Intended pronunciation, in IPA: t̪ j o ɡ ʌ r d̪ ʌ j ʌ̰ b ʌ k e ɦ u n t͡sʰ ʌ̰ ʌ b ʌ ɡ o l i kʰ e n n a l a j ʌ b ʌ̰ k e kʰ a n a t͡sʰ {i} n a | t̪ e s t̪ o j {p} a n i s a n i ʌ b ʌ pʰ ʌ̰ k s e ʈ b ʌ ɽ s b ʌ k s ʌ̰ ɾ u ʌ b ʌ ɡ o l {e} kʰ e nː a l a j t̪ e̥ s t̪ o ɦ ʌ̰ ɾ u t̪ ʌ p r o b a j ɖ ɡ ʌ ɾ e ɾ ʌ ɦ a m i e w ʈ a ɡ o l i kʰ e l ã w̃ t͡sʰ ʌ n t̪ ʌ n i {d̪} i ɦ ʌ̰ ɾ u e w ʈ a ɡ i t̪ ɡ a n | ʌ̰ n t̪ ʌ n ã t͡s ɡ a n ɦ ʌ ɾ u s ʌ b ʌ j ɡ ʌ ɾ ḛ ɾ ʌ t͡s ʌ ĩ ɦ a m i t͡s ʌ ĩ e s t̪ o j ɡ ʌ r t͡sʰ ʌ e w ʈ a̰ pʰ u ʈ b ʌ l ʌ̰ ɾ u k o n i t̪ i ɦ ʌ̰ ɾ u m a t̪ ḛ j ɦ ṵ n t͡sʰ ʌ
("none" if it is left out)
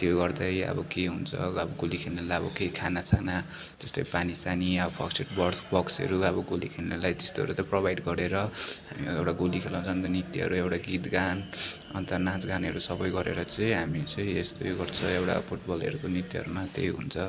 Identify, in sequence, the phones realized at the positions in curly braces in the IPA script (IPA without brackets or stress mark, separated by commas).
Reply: a, p, i, t̪